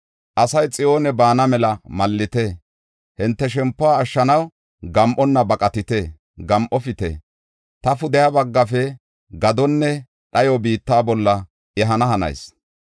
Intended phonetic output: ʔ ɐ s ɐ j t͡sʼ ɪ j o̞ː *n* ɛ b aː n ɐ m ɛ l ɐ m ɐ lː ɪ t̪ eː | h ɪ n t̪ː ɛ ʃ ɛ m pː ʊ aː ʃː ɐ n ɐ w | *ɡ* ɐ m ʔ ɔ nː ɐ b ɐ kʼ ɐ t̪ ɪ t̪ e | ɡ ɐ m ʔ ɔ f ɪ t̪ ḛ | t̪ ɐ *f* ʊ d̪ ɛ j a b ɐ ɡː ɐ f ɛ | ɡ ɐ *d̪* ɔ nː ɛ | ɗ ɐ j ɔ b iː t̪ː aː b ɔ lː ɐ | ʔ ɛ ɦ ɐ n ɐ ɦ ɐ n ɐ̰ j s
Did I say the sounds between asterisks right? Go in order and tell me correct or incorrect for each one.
correct, correct, correct, correct

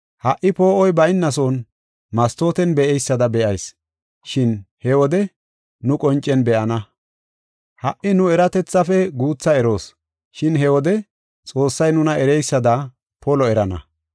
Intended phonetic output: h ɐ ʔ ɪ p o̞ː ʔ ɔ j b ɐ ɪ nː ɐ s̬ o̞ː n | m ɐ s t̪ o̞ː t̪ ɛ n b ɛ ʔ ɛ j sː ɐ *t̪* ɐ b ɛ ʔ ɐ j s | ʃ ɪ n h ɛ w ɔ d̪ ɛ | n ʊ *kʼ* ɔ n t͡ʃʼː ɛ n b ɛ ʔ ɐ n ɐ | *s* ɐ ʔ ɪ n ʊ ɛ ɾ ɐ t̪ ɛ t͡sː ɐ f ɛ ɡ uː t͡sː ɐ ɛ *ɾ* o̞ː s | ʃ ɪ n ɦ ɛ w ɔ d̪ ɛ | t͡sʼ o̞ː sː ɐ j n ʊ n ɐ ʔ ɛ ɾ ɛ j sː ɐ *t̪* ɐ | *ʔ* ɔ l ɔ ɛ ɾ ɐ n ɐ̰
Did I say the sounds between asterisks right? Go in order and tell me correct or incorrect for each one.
incorrect, correct, incorrect, correct, incorrect, incorrect

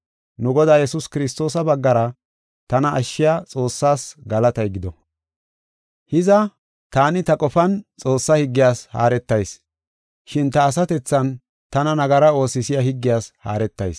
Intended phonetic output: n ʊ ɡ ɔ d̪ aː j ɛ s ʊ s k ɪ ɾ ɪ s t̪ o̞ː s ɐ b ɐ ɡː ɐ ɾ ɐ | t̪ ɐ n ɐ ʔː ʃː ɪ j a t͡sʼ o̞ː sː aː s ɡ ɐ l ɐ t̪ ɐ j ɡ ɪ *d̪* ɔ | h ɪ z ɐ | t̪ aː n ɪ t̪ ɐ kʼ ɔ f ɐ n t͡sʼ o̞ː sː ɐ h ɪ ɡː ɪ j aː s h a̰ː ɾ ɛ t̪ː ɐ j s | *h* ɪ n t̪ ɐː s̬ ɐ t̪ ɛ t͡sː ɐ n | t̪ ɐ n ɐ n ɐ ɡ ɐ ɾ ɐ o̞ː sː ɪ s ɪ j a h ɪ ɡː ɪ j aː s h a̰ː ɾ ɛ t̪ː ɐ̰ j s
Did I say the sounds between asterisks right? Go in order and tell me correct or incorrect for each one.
correct, incorrect

